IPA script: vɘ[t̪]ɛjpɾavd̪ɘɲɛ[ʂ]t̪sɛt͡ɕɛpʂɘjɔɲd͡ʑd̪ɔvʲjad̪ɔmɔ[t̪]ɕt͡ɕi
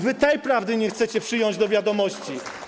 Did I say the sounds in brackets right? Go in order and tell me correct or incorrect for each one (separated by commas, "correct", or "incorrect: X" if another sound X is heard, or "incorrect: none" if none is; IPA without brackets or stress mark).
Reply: correct, incorrect: x, incorrect: none